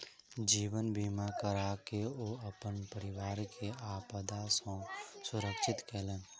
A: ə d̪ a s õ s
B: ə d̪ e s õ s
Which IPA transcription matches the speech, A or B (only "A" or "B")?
A